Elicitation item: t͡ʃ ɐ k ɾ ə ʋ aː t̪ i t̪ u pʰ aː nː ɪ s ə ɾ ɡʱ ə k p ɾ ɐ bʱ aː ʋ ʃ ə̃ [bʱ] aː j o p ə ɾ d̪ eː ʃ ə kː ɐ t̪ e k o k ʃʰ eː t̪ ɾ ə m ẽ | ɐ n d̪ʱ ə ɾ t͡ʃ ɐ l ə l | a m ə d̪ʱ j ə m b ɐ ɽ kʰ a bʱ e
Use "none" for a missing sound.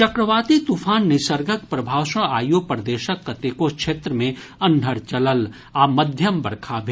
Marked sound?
none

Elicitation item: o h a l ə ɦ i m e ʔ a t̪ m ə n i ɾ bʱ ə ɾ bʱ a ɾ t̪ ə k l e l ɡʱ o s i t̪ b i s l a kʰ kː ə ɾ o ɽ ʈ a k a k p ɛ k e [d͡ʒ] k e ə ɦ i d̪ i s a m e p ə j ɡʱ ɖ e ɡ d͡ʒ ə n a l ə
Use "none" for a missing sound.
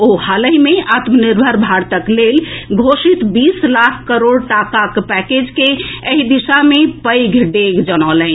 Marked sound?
d͡ʒ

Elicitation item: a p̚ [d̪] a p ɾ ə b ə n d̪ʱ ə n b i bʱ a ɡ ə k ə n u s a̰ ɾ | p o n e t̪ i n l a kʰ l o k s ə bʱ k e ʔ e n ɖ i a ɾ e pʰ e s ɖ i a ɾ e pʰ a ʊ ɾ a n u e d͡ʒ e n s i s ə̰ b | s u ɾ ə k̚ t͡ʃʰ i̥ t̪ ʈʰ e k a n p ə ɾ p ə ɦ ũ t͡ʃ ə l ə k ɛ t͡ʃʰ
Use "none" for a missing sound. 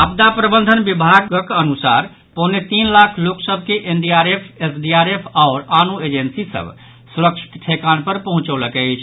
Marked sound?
d̪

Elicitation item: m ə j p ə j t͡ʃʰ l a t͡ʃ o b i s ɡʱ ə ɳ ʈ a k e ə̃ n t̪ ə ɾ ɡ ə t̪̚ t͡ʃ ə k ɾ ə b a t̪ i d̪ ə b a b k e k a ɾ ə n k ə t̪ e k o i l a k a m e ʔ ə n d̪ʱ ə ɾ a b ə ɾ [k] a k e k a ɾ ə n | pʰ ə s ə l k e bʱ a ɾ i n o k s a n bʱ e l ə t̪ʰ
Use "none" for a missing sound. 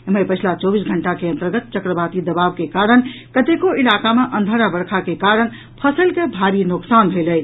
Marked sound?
kʰ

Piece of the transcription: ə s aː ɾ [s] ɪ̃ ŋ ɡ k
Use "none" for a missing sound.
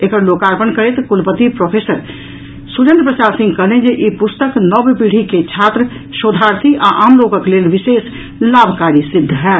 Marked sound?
s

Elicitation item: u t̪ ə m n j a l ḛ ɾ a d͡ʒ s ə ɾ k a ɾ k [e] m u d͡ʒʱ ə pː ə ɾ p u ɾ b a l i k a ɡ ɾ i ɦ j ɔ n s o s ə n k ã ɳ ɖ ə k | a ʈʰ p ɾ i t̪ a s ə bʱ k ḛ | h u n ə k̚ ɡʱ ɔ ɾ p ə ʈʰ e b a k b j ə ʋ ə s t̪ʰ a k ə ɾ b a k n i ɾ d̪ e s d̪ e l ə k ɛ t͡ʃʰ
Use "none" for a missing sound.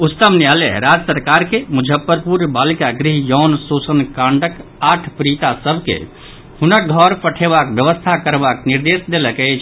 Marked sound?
e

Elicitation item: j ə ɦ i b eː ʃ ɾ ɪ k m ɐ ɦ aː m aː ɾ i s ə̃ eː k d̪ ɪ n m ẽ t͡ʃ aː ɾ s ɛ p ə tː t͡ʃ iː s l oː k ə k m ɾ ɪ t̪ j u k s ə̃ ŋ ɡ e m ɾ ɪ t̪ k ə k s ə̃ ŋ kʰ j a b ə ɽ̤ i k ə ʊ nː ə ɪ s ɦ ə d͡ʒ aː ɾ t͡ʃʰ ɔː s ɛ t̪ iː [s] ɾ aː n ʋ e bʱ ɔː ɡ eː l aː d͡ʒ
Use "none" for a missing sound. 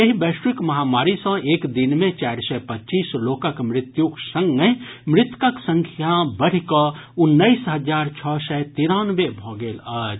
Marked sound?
none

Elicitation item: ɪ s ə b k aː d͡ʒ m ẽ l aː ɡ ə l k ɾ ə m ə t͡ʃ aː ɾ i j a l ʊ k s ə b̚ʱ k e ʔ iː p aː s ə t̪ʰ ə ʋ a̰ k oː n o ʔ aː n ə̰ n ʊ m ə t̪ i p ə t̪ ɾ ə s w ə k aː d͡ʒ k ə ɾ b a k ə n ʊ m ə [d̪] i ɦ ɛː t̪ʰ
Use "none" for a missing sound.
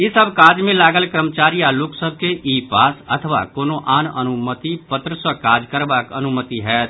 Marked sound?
t̪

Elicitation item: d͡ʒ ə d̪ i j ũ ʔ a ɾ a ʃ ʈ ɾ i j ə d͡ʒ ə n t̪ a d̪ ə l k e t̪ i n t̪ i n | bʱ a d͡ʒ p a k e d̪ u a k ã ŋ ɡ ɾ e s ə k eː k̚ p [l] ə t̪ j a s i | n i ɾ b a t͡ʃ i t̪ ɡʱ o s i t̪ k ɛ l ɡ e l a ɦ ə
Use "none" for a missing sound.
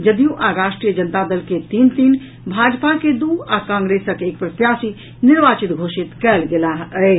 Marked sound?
ɾ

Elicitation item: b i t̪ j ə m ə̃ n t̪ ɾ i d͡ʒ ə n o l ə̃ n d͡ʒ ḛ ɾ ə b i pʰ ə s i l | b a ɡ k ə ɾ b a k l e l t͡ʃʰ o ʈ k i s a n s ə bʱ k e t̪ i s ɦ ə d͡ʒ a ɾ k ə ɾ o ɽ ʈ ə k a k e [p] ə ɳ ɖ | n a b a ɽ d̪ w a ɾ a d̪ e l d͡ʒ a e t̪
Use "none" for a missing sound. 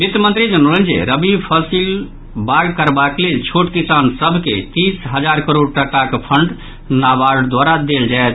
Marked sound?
pʰ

